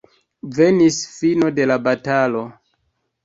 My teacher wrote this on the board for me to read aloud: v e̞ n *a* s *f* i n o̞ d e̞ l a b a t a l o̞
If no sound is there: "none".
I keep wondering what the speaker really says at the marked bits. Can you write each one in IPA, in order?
i, f

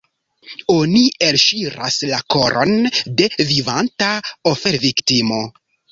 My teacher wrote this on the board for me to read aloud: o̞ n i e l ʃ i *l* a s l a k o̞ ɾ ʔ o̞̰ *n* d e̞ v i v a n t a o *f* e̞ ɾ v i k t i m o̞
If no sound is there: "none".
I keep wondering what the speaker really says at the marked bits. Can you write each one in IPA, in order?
ɾ, n, f

